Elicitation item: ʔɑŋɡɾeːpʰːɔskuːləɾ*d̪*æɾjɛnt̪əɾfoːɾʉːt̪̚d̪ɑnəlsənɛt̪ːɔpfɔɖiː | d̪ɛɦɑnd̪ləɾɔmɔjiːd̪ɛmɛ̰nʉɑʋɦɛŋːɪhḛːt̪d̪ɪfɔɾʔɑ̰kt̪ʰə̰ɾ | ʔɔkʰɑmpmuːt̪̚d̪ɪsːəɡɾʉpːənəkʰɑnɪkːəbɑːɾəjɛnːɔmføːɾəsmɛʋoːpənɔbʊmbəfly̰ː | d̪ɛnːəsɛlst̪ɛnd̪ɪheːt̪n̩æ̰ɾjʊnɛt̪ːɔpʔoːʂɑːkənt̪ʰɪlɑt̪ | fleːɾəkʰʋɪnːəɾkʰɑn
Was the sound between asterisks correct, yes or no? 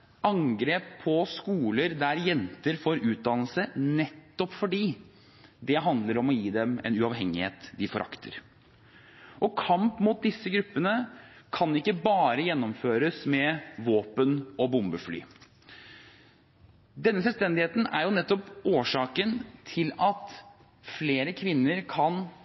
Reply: yes